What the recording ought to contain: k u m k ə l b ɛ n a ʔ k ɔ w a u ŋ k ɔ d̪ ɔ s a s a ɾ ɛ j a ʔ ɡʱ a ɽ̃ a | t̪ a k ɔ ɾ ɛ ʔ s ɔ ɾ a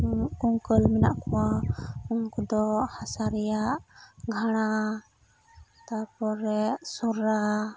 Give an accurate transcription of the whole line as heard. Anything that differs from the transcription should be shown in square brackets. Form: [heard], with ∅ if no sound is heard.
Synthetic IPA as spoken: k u [ŋ] k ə l [m] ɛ n a ʔ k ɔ w a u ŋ k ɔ d̪ ɔ [h] a s a ɾ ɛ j a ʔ ɡʱ a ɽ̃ a | t̪ a [p] ɔ ɾ ɛ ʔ s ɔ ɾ a

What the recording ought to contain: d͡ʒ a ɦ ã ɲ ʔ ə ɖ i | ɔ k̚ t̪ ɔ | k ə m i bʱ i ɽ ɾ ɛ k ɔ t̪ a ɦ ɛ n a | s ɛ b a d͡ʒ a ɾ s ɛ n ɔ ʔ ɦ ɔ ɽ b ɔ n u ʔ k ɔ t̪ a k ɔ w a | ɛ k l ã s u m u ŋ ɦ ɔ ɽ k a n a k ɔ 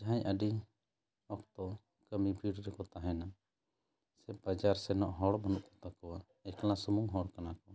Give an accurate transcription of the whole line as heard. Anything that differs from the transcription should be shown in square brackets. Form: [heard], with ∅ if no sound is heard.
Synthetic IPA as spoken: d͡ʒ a ɦ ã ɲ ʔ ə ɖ i | ɔ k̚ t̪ ɔ | k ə m i bʱ i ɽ ɾ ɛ k ɔ t̪ a ɦ ɛ n a | s ɛ b a d͡ʒ a ɾ s ɛ n ɔ ʔ ɦ ɔ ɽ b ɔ n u ʔ k ɔ t̪ a k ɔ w a | ɛ k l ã s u m u ŋ ɦ ɔ ɽ k a n a k ɔ

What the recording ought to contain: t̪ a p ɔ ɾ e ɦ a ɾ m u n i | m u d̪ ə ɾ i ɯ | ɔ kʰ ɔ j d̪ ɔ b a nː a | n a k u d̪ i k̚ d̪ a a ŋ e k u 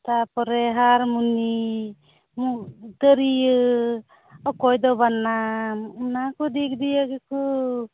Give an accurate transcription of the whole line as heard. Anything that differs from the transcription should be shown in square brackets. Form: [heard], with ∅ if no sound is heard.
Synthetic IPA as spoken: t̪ a p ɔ ɾ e ɦ a ɾ m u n i | m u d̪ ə ɾ i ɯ | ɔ [k] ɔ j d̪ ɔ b a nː a | n a k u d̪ i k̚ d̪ [i] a [ɡ] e k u

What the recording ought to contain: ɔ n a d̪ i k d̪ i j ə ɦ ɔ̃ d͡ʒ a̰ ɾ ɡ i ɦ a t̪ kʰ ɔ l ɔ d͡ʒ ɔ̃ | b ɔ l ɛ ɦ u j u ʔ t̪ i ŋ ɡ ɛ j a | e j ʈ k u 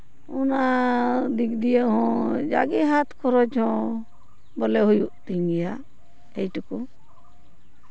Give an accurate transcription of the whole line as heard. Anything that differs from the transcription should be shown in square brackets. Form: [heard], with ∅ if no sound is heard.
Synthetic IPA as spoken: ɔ n a d̪ i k d̪ i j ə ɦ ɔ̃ d͡ʒ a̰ [∅] ɡ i ɦ a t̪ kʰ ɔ [ɾ] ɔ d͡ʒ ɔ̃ | b ɔ l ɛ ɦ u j u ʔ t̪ i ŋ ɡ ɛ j a | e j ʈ k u

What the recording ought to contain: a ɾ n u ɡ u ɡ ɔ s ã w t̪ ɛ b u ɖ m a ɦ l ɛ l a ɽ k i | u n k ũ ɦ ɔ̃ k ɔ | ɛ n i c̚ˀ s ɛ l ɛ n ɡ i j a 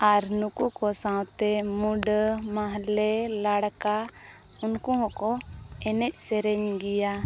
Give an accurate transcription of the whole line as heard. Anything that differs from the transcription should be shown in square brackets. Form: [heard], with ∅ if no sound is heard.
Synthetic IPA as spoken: a ɾ n u [k] u [k] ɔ s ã w t̪ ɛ [m] u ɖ m a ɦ l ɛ l a ɽ k [a] | u n k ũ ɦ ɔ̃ k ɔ | ɛ n [ɛ] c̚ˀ s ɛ [ɾ] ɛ [ɲ] ɡ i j a

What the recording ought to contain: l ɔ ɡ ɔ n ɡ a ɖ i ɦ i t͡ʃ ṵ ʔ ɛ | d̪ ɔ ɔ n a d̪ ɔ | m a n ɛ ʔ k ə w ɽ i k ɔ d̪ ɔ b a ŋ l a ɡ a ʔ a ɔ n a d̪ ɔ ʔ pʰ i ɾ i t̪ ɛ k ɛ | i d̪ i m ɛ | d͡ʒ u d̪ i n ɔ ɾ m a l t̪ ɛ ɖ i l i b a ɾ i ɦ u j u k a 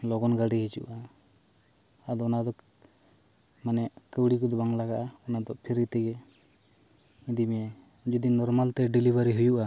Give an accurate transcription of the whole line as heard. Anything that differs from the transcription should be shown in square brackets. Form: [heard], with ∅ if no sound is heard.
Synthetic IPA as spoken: l ɔ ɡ ɔ n ɡ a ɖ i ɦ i t͡ʃ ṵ ʔ [a] | d̪ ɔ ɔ n a d̪ ɔ | m a n ɛ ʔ k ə w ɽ i k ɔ d̪ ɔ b a ŋ l a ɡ a ʔ a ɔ n a d̪ ɔ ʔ pʰ i ɾ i t̪ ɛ [ɡ] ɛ | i d̪ i m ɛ | d͡ʒ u d̪ i n ɔ ɾ m a l t̪ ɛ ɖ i l i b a ɾ i ɦ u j u [ʔ] a

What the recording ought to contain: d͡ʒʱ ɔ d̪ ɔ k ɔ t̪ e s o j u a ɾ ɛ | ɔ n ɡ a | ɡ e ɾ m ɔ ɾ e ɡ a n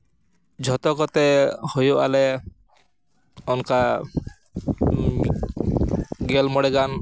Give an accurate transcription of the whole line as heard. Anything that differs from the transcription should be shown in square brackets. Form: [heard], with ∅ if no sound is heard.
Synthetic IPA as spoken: d͡ʒʱ ɔ [t̪] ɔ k ɔ t̪ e [h] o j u a [l] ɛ | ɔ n [k] a | ɡ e [l] m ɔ [ɽ] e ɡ a n

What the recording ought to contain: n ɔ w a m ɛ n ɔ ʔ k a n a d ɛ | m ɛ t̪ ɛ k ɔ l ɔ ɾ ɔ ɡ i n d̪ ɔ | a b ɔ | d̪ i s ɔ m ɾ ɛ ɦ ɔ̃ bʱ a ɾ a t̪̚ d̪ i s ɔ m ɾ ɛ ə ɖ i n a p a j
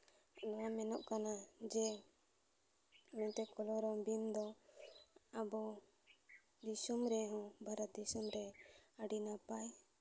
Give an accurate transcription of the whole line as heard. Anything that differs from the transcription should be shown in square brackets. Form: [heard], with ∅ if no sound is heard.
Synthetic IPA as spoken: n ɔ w a m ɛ n ɔ ʔ k a n a [d͡ʒ] ɛ | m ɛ t̪ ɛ k ɔ l ɔ ɾ ɔ [b] i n d̪ ɔ | a b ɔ | d̪ i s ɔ m ɾ ɛ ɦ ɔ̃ bʱ a ɾ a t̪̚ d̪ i s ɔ m ɾ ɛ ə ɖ i n a p a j

